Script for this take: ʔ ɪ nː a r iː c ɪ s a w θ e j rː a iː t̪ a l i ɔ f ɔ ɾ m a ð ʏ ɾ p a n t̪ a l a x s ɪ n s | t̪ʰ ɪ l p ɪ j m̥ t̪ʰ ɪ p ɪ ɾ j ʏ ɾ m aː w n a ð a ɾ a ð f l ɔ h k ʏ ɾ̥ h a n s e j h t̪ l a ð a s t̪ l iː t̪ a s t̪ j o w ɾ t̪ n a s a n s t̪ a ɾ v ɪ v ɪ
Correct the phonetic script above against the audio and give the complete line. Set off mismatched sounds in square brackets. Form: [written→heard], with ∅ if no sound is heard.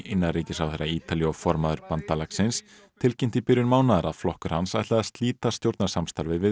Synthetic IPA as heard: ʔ ɪ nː a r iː c ɪ s a w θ e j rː a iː t̪ a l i ɔ f ɔ ɾ m a ð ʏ ɾ p a n t̪ a l a [x→k] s ɪ n s | t̪ʰ ɪ l [p→c] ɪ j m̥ [t̪ʰ→t̪] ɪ p ɪ ɾ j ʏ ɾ m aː w n a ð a ɾ a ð f l ɔ h k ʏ ɾ̥ h a n s [e→a] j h t̪ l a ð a s t̪ l iː t̪ a s t̪ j o w ɾ t̪ n a s a [n→m] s t̪ a ɾ v ɪ v ɪ